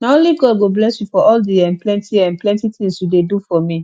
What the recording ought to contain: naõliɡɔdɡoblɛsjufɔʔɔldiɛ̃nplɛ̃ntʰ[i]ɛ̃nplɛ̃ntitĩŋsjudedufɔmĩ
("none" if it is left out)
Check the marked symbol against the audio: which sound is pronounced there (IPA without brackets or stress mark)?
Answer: i